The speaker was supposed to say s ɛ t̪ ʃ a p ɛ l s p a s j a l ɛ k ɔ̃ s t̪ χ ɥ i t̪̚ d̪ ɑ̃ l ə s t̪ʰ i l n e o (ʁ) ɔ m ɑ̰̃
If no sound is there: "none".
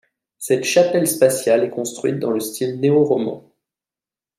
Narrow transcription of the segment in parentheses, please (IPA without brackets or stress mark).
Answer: ʁ